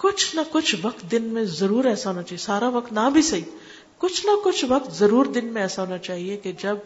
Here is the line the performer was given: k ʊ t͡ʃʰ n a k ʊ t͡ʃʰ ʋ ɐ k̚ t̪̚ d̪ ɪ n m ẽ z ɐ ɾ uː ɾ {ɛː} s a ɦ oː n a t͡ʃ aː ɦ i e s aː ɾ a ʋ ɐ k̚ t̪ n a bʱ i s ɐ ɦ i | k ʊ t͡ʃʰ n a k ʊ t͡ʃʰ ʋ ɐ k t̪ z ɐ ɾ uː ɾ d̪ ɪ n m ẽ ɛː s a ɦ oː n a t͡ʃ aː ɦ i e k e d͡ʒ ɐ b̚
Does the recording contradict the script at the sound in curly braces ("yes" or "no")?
no